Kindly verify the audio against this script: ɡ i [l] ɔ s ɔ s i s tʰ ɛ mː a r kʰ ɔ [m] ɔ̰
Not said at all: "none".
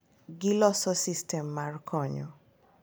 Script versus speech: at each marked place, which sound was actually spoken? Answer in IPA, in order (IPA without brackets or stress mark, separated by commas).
l, ɲ